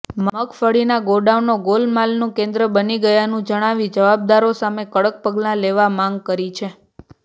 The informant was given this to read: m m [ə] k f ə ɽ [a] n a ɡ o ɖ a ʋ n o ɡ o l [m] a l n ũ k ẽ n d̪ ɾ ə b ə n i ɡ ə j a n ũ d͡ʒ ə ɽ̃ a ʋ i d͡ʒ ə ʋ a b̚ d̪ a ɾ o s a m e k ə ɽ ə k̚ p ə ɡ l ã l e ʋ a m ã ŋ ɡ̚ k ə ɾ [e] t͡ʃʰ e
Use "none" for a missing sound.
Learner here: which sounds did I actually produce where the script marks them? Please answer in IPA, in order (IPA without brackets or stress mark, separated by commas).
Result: ə, i, m, i